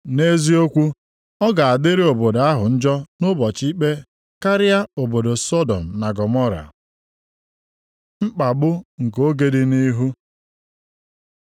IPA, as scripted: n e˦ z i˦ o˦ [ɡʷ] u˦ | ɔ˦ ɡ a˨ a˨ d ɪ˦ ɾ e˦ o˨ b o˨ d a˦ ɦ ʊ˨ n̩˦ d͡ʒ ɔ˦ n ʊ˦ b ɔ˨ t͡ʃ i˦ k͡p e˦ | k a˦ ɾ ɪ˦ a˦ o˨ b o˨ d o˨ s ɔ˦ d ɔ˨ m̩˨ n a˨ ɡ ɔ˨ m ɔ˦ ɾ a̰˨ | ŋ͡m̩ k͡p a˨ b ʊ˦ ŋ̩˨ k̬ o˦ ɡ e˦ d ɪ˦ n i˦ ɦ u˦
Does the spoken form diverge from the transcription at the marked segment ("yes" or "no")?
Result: yes